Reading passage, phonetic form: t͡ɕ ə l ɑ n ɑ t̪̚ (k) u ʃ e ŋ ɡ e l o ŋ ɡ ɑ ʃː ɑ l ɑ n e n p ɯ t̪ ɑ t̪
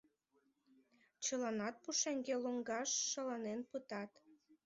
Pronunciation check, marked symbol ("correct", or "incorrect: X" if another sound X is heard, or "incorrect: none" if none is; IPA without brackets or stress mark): incorrect: p